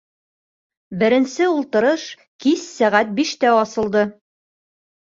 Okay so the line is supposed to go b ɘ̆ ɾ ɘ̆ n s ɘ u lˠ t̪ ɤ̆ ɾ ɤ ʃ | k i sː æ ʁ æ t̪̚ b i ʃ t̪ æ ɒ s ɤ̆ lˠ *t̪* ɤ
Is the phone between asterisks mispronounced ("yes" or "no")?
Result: yes